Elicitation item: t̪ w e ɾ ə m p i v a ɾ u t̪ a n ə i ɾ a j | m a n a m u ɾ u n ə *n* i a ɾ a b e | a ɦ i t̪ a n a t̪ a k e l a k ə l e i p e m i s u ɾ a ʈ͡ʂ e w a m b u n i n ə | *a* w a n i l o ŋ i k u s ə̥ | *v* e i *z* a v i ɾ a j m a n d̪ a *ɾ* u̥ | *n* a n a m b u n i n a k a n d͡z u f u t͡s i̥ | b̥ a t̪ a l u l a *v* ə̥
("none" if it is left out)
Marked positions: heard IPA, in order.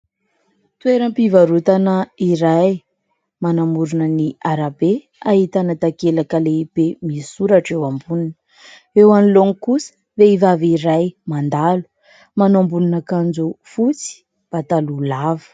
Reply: n, e, v, v, l, m, v

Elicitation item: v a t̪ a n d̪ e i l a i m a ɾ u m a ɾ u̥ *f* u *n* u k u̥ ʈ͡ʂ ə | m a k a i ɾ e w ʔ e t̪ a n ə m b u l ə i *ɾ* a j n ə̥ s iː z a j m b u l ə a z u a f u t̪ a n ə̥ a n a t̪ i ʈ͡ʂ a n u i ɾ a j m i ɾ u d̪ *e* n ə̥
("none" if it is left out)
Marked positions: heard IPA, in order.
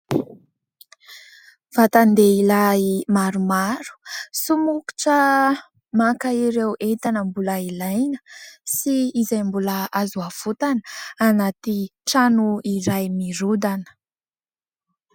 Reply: s, m, l, a

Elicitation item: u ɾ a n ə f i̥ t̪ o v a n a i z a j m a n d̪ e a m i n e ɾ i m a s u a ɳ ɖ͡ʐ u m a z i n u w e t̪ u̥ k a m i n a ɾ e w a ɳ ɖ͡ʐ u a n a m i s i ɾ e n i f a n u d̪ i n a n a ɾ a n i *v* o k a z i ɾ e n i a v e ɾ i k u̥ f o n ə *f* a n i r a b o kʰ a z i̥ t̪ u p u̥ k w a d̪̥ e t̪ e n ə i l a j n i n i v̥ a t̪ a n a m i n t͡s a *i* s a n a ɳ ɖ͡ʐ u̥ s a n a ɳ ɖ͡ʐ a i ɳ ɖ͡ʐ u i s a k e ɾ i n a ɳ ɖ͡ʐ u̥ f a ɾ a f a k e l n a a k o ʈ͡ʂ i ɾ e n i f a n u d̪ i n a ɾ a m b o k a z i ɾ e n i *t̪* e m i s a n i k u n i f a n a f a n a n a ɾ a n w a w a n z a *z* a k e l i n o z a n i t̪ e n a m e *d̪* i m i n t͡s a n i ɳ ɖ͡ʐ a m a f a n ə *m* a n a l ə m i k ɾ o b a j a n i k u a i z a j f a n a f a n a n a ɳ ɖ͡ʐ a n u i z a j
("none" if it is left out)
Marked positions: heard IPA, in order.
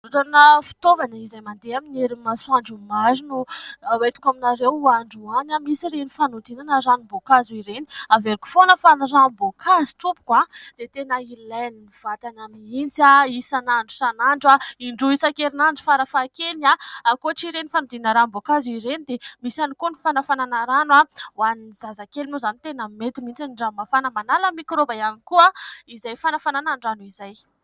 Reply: b, f, i, d̪, z, t̪, m

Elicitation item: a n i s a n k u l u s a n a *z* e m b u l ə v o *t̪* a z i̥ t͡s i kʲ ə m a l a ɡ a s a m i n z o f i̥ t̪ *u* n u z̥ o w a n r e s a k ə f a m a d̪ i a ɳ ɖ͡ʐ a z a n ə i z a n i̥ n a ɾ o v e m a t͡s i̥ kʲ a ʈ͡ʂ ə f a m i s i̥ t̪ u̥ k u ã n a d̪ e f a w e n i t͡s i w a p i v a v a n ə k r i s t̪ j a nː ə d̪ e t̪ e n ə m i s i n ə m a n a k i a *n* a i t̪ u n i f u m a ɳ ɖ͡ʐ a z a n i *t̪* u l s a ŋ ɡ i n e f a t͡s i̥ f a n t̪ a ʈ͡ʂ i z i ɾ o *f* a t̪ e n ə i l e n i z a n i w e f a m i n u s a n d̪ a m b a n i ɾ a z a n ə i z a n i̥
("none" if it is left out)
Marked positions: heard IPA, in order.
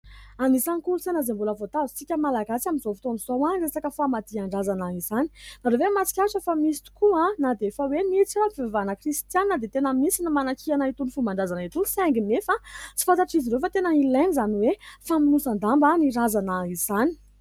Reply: z, t̪, o, n, t̪, f

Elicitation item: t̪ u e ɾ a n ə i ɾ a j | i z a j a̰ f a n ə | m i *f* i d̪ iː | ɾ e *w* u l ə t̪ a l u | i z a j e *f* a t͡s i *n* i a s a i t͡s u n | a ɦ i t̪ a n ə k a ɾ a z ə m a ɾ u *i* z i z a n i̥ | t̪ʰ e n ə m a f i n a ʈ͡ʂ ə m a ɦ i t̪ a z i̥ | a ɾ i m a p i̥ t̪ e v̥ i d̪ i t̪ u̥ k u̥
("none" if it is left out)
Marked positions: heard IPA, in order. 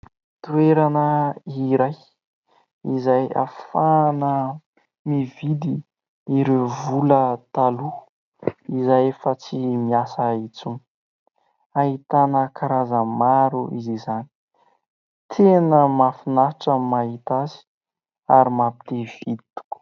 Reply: v, v, f, m, i

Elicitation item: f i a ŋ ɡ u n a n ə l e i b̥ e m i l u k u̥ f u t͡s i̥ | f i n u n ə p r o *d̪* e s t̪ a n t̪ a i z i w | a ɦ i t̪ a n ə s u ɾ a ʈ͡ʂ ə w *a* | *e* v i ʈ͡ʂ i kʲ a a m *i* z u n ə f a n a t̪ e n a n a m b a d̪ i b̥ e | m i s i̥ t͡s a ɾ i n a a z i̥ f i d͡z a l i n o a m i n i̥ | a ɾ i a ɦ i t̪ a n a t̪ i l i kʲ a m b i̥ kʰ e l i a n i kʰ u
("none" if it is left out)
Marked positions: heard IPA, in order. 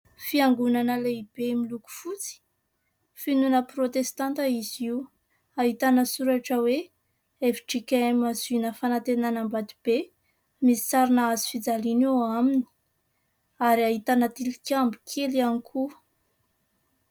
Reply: t̪, e, e, a

